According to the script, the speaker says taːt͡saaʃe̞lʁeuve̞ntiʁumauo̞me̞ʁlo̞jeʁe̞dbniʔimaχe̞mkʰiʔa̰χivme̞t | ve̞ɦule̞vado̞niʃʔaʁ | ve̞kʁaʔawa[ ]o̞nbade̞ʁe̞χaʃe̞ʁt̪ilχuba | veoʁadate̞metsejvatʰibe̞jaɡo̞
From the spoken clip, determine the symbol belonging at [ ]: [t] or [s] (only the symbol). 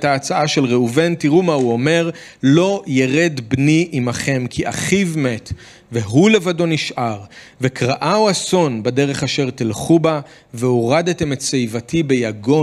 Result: s